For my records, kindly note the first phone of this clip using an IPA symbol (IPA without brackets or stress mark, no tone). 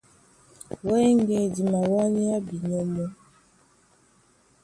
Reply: w